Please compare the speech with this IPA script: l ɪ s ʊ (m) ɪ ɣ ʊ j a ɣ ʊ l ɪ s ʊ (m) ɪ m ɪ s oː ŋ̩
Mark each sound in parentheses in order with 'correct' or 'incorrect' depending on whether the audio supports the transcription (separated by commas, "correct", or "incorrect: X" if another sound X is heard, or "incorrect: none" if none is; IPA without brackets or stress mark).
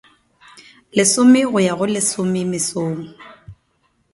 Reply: correct, correct